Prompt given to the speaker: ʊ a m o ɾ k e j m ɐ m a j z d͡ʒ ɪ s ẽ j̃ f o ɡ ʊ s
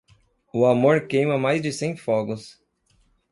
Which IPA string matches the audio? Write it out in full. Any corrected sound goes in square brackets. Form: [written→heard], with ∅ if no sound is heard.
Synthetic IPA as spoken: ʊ a m o ɾ k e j m ɐ m a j z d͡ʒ ɪ s ẽ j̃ f [o→ɔ] ɡ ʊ s